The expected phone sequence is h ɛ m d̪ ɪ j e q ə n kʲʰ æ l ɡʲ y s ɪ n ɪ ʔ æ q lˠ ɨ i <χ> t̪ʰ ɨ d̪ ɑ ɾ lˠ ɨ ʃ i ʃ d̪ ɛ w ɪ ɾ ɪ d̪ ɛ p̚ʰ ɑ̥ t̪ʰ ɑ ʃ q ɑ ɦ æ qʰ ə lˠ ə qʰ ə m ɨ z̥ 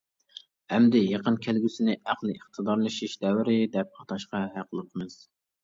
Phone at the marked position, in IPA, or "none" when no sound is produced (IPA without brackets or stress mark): χ